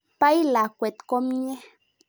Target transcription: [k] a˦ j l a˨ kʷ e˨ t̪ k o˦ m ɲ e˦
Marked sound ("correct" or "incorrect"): incorrect